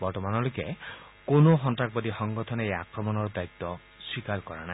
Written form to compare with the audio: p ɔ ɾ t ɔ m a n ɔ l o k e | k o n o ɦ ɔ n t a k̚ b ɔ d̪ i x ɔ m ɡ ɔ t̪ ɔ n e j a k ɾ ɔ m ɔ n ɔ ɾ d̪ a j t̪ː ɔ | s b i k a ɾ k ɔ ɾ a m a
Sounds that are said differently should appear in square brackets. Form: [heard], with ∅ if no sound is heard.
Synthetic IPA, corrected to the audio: [b] ɔ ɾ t ɔ m a n ɔ l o k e | k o n o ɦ ɔ n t a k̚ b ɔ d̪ i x ɔ [ŋ] ɡ ɔ [t̪ʰ] ɔ n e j a k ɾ ɔ m ɔ n ɔ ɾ d̪ a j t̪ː ɔ | s [w] i k a ɾ k ɔ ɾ a [n] a